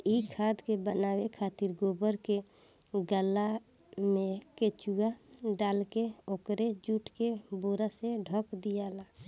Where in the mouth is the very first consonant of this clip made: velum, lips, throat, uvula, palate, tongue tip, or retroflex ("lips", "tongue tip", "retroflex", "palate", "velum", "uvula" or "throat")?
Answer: velum